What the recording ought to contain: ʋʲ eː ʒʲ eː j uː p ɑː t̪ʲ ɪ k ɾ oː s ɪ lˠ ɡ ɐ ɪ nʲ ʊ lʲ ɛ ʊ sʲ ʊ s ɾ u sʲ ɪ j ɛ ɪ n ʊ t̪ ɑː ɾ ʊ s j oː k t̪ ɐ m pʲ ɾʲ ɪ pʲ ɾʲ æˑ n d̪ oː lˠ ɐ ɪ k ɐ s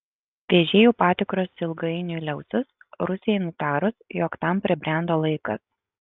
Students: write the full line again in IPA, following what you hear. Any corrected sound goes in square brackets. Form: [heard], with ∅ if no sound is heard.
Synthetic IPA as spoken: ʋʲ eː ʒʲ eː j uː p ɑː t̪ʲ ɪ k ɾ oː s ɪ lˠ ɡ ɐ ɪ nʲ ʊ lʲ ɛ ʊ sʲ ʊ s ɾ [ʊ] sʲ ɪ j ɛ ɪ n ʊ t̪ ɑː ɾ ʊ s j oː k t̪ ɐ m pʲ ɾʲ ɪ [bʲ] ɾʲ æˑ n d̪ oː lˠ ɐ ɪ k ɐ s